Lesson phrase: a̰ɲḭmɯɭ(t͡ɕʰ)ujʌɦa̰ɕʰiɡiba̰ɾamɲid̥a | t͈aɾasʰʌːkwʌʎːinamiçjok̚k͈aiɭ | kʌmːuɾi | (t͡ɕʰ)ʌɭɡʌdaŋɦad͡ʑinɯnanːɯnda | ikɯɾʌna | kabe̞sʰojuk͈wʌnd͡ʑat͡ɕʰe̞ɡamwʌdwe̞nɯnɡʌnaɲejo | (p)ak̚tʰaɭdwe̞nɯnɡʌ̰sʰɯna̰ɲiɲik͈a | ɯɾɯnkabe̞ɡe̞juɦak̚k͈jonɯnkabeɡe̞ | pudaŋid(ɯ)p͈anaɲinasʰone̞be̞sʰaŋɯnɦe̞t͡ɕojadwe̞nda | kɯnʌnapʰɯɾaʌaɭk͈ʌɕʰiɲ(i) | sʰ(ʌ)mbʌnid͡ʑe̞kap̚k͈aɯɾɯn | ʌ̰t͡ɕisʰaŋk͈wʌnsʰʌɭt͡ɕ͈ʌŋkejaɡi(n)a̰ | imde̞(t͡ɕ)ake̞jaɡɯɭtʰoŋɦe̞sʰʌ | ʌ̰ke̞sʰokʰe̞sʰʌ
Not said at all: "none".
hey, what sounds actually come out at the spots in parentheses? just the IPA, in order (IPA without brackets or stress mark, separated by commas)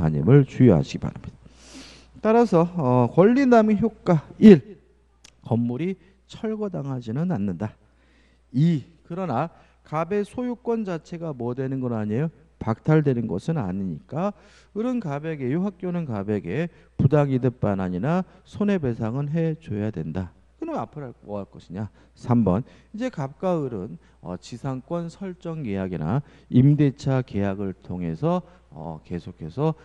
t͡ɕ, t͡ɕʰ, p, ɯ, a, a, n, t͡ɕʰ